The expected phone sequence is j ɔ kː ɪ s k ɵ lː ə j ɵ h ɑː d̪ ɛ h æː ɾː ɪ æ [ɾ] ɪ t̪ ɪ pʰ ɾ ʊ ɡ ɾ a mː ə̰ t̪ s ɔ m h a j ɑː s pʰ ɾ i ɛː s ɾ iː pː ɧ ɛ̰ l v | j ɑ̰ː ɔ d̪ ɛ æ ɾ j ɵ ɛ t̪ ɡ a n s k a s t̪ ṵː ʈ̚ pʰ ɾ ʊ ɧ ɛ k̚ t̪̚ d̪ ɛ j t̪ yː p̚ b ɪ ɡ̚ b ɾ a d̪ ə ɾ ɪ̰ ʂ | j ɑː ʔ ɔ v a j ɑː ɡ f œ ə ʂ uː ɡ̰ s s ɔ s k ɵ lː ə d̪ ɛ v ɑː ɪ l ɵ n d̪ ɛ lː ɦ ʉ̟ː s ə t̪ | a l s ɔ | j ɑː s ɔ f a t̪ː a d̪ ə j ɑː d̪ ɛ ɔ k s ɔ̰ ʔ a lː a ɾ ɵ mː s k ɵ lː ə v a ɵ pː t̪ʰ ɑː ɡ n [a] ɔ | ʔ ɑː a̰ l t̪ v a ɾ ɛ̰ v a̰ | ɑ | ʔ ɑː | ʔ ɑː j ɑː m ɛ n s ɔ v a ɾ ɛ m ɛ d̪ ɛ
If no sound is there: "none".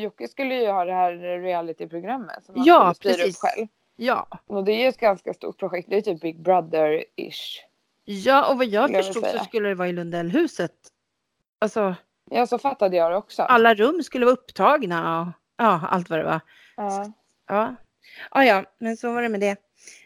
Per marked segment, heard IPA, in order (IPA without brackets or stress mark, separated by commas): l, a